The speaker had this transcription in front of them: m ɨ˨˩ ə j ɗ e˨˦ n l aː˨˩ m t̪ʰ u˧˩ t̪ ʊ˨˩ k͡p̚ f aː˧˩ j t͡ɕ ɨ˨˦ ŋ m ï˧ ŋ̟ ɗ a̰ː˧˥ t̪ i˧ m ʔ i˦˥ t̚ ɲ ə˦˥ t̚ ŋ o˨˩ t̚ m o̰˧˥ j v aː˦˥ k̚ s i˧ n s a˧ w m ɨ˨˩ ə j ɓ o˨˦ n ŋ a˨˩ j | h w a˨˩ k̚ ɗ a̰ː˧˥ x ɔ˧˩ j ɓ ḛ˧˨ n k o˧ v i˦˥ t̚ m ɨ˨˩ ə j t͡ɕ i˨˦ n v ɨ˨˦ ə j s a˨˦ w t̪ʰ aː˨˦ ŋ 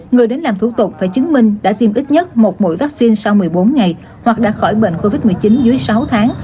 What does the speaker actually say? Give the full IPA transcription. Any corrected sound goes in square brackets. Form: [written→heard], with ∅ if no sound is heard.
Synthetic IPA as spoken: [m→ŋ] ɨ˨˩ ə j ɗ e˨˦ n l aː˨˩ m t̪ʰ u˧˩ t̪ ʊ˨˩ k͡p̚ f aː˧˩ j t͡ɕ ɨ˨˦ ŋ m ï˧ ŋ̟ ɗ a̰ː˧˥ t̪ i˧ m ʔ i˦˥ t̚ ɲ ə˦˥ t̚ [ŋ→m] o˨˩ t̚ m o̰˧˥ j v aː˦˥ k̚ s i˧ n s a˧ w m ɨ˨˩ ə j ɓ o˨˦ n ŋ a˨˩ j | h w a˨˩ k̚ ɗ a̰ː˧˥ x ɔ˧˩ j ɓ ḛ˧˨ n k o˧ v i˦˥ t̚ m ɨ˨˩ ə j t͡ɕ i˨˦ n [v→z] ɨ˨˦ ə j s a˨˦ w t̪ʰ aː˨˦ ŋ

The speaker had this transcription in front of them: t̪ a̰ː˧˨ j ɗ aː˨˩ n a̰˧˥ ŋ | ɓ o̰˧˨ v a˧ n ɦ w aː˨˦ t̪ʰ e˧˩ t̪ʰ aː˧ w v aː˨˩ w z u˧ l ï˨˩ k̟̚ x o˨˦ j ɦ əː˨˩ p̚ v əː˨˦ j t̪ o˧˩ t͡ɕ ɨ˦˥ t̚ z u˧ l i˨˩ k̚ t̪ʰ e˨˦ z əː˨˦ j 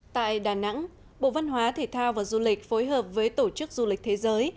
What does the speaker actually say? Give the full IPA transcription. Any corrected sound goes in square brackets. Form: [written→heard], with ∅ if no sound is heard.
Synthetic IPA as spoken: t̪ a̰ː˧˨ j ɗ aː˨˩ n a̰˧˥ ŋ | ɓ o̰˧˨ v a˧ n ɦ w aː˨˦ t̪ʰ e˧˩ t̪ʰ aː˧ w v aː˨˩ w z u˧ l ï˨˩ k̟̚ [x→f] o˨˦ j ɦ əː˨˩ p̚ v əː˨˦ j t̪ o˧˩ t͡ɕ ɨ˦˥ [t̚→k̚] z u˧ l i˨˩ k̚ t̪ʰ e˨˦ z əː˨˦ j

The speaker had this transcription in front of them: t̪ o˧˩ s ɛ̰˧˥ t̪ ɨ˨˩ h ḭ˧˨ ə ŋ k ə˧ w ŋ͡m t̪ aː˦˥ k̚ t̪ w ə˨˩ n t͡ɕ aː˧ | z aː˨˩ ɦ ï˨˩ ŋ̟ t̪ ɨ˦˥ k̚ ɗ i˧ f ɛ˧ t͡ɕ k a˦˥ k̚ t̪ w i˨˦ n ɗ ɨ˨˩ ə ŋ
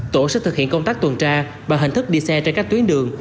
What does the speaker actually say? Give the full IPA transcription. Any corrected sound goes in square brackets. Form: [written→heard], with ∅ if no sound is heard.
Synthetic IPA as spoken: t̪ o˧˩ s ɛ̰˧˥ t̪ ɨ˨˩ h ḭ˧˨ ə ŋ k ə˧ w ŋ͡m t̪ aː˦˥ k̚ t̪ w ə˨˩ n t͡ɕ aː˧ | [z→v] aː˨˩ ɦ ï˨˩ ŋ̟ t̪ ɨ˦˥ k̚ ɗ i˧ [f→s] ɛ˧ t͡ɕ k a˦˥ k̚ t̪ w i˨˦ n ɗ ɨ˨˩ ə ŋ

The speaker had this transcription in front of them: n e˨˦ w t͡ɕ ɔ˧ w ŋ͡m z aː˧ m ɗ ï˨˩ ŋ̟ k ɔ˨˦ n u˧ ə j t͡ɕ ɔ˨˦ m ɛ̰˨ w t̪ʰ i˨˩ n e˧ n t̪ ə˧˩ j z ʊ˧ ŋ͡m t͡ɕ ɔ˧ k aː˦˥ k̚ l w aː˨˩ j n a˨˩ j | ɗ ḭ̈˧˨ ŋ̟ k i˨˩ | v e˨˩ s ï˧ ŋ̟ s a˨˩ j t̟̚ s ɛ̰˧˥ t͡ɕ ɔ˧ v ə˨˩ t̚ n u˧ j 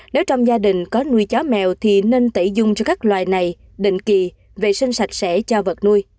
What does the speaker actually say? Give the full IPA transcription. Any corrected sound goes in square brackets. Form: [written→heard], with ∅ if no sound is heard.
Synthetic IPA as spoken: n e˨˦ w t͡ɕ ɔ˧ w ŋ͡m z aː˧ [m→∅] ɗ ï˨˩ ŋ̟ k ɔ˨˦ n u˧ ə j t͡ɕ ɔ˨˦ m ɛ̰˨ w t̪ʰ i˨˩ n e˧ n t̪ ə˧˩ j z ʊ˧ ŋ͡m t͡ɕ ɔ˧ k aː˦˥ k̚ l w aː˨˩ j n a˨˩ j | ɗ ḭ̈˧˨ ŋ̟ k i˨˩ | v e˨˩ s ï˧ ŋ̟ s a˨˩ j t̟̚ s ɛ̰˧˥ t͡ɕ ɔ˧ v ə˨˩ t̚ n u˧ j

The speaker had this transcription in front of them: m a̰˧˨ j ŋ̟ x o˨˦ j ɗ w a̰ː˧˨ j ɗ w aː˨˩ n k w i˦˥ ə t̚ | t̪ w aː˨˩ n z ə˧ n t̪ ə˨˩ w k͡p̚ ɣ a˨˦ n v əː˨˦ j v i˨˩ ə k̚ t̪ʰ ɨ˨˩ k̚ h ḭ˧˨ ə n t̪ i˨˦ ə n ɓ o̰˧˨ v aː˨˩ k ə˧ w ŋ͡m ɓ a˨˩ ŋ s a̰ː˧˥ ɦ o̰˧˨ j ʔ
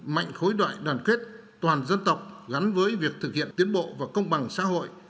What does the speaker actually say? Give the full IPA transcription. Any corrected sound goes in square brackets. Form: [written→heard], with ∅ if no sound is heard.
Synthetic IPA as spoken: m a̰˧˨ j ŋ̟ x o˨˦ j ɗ w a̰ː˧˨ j ɗ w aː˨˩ n k w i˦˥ ə t̚ | t̪ w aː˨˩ n z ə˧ n t̪ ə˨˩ w k͡p̚ ɣ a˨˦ n v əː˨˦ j v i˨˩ ə k̚ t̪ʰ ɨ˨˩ k̚ h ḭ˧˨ ə n t̪ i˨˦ ə n ɓ o̰˧˨ v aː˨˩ k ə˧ w ŋ͡m ɓ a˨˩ ŋ s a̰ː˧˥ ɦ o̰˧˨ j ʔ

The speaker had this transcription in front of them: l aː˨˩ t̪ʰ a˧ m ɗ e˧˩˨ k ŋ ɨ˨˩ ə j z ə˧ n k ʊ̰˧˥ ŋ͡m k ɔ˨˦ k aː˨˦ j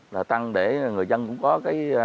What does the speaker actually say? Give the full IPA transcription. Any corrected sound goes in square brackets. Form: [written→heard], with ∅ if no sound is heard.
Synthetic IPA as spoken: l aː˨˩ [t̪ʰ→t̪] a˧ [m→ŋ] ɗ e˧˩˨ [k→∅] ŋ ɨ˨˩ ə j z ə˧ n k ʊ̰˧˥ ŋ͡m k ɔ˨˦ k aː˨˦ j

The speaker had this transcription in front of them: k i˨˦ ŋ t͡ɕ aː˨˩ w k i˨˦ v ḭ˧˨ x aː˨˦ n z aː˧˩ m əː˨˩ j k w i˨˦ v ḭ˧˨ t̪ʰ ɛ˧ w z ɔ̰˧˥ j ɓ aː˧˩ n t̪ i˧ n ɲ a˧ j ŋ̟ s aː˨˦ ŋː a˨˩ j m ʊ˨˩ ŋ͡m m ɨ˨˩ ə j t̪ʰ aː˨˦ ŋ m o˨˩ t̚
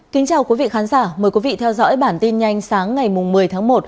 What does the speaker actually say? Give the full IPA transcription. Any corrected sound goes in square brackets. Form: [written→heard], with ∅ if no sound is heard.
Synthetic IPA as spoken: k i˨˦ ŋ t͡ɕ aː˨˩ w k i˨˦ v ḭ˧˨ x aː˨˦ n z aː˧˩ m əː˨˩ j k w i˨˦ v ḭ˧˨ t̪ʰ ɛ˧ w z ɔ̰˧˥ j ɓ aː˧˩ n t̪ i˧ n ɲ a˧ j ŋ̟ s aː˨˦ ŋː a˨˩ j m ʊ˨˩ ŋ͡m m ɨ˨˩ ə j t̪ʰ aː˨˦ ŋ m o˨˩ t̚

